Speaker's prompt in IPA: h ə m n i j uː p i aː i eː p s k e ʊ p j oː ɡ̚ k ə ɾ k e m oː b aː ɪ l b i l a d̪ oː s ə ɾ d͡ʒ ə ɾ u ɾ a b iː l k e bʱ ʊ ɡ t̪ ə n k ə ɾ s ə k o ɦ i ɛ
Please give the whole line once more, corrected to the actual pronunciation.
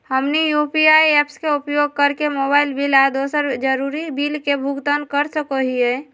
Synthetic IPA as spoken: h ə m n i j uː p i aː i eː p s k e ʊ p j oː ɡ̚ k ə ɾ k e m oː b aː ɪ l b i l a d̪ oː s ə ɾ d͡ʒ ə ɾ u ɾ i b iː l k e bʱ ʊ ɡ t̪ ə n k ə ɾ s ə k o ɦ i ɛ